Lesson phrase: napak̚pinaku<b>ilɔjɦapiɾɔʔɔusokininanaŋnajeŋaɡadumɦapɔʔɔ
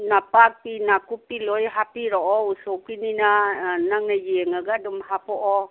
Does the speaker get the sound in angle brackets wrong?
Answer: yes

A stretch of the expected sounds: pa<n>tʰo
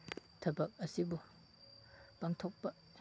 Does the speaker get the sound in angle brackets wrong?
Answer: yes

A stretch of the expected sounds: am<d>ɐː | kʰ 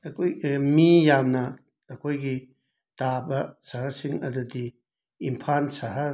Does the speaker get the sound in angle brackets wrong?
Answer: yes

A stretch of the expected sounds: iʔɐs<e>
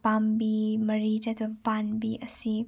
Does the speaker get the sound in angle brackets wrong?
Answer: yes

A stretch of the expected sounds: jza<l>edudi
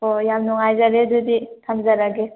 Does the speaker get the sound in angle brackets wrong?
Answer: yes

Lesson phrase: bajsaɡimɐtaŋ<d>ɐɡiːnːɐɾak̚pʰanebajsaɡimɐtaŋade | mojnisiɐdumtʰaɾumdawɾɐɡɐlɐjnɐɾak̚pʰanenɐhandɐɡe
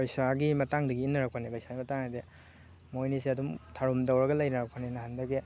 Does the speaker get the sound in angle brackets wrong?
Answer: no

